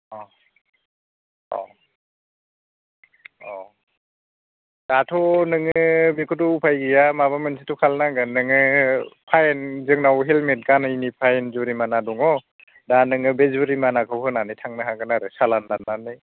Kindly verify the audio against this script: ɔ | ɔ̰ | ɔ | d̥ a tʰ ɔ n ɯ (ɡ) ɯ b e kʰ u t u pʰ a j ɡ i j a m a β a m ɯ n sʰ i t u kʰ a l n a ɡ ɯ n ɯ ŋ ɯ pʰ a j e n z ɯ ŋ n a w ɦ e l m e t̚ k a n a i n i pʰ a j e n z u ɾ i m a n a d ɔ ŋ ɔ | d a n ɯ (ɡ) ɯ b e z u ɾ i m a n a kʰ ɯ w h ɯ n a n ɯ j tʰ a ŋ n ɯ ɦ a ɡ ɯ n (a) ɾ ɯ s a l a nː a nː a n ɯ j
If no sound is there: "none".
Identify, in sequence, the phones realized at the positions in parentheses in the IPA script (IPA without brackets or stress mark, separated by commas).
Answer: ŋ, ŋ, a